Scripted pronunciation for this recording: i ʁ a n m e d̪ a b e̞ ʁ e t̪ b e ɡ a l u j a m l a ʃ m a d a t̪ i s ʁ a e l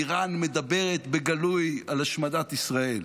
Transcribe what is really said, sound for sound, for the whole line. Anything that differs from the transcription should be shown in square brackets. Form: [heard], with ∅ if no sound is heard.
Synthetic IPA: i ʁ a n m e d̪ a b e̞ ʁ e t̪ b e ɡ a l u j a [∅] l a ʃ m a d a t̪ i s ʁ a e l